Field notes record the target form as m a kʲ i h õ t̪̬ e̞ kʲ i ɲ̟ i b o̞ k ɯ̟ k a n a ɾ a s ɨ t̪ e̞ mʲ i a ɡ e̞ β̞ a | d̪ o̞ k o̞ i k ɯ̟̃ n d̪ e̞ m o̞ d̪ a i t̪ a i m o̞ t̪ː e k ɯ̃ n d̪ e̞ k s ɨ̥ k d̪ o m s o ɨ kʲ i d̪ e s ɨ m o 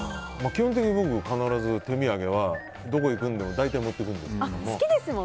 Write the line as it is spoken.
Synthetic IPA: m a kʲ i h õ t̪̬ e̞ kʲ i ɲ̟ i b o̞ k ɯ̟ k a n a ɾ a z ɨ t̪ e̞ mʲ i a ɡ e̞ β̞ a | d̪ o̞ k o̞ i k ɯ̟̃ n d̪ e̞ m o̞ d̪ a i t̪ a i m o̞ t̪ː e k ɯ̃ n d̪ e̞ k s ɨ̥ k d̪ o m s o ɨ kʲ i d̪ e s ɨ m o